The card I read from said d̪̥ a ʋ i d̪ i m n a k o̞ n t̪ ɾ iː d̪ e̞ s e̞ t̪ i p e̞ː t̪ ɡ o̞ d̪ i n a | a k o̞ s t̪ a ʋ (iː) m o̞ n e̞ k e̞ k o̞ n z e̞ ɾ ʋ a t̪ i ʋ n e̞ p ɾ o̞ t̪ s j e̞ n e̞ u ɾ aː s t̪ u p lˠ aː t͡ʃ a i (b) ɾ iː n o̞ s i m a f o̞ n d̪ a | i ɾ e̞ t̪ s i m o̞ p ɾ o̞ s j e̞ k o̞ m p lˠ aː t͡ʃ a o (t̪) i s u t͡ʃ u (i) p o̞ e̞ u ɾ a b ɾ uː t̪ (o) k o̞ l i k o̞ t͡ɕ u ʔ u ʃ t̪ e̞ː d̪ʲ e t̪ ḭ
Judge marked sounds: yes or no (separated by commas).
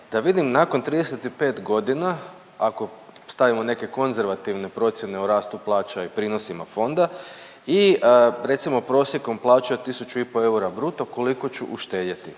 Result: no, no, yes, yes, yes